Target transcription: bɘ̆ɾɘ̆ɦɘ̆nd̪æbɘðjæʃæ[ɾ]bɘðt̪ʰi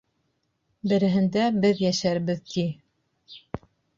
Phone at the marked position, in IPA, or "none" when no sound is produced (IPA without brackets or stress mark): ɾ